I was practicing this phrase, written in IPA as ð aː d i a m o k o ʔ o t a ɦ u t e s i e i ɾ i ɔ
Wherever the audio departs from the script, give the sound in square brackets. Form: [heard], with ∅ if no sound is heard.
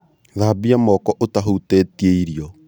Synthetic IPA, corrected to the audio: ð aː [b] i a m [ɔ] k [ɔ] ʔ o t a ɦ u t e [t] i e i ɾ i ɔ